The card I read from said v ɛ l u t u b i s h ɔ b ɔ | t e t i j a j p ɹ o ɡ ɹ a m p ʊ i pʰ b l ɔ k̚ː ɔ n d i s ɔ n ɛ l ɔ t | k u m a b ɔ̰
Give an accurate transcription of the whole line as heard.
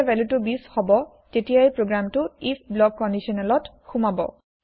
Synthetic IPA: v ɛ l u t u b i s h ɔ b ɔ | t e t i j a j p ɹ o ɡ ɹ a m t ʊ i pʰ b l ɔ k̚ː ɔ n d i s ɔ n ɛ l ɔ t | x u m a b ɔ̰